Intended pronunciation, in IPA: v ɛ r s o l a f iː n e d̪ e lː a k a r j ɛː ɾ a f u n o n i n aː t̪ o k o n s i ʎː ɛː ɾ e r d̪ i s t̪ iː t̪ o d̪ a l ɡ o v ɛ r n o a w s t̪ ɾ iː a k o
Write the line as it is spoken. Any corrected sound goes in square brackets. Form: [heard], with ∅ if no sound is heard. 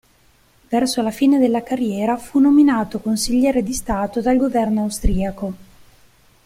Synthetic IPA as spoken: v ɛ r s o l a f iː n e d̪ e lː a k a r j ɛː ɾ a f u n o [m] i n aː t̪ o k o n s i ʎː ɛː ɾ e [∅] d̪ i s t̪ [aː] t̪ o d̪ a l ɡ o v ɛ r n o a w s t̪ ɾ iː a k o